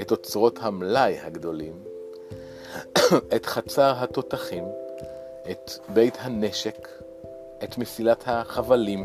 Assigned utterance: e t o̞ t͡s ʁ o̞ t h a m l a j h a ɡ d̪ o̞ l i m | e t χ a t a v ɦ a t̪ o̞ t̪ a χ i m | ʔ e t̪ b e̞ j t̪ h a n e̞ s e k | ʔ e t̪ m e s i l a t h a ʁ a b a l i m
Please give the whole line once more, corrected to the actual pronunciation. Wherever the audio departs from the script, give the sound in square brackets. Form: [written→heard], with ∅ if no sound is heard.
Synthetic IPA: e t o̞ t͡s ʁ o̞ t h a m l a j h a ɡ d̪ o̞ l i m | e t χ a [t→t͡s] a [v→ʁ] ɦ a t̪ o̞ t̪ a χ i m | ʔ e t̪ b e̞ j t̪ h a n e̞ [s→ʃ] e k | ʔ e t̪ m e s i l a t h a [ʁ→χ] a [b→v] a l i m